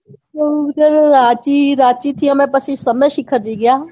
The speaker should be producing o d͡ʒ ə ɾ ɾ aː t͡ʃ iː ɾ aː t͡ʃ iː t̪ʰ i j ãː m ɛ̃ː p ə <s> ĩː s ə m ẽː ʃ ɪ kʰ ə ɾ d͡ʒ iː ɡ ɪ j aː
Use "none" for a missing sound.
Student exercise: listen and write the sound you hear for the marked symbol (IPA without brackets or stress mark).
s